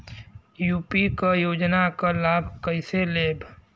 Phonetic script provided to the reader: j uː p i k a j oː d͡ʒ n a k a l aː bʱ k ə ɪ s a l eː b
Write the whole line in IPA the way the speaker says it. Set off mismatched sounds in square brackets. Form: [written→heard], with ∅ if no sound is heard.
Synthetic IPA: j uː p i k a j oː d͡ʒ n a k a l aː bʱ k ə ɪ s [a→e] l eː b